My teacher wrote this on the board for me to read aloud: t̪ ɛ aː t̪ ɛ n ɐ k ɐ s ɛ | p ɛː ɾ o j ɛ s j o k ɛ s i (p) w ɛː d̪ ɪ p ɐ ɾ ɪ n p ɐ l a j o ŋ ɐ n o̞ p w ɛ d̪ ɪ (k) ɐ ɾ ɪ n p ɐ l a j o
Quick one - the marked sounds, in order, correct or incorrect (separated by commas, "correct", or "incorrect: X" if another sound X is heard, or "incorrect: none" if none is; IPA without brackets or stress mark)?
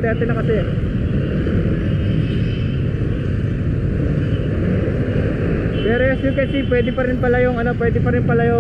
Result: correct, incorrect: p